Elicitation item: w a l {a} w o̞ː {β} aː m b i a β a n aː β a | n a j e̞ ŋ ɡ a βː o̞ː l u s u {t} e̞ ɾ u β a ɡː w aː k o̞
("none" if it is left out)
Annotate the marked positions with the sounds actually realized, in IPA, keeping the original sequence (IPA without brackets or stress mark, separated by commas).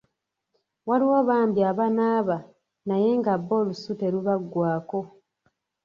i, β, t